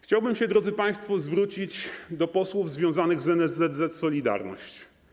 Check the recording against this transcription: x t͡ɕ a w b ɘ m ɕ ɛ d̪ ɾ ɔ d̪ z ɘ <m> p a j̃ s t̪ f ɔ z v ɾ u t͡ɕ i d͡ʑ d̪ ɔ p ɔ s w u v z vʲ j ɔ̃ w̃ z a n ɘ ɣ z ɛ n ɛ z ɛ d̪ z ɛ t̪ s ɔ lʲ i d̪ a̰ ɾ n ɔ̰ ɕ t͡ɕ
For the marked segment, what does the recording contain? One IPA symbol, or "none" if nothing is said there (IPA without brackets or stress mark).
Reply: none